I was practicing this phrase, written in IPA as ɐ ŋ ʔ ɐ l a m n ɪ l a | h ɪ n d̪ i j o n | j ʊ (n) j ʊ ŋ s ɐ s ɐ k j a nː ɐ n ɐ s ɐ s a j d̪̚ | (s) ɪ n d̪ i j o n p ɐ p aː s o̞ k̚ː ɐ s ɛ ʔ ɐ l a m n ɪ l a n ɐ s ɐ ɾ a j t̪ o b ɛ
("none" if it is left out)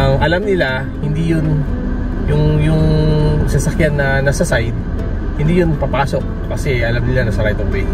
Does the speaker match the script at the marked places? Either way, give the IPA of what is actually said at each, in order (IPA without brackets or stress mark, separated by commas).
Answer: ŋ, h